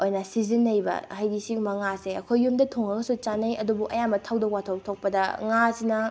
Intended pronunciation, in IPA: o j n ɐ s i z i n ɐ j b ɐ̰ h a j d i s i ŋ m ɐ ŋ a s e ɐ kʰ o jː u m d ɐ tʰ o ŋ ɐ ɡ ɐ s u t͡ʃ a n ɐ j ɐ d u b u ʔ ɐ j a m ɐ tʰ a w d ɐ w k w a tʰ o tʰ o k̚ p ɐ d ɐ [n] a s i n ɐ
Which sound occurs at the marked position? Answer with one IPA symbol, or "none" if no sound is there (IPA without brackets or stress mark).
ŋ